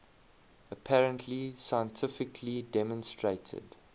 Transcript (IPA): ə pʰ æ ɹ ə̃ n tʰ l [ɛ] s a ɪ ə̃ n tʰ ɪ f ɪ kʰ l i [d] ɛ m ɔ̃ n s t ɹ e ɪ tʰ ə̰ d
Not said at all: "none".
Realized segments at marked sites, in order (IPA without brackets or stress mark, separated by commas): i, d